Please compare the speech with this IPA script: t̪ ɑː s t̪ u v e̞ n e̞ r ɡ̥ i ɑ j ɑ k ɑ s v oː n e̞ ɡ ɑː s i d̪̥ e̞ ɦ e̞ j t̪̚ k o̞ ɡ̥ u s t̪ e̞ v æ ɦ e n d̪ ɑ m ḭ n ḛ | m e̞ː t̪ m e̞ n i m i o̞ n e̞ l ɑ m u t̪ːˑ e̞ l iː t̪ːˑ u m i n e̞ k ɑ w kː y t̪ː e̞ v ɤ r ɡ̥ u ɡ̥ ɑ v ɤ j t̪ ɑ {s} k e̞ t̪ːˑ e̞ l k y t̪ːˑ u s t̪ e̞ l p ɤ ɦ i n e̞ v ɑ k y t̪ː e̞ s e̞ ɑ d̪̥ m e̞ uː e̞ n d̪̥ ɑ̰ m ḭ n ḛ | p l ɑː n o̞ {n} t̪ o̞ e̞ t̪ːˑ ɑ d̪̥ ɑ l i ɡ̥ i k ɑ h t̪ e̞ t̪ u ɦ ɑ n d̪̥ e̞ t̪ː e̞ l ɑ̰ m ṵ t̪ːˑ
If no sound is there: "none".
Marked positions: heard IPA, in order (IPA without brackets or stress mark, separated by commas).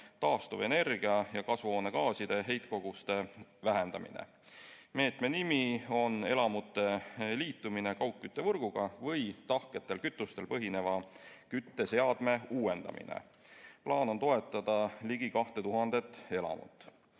h, n